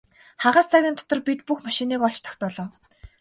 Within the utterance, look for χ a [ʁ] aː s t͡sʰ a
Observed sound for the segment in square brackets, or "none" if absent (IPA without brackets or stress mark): ʁ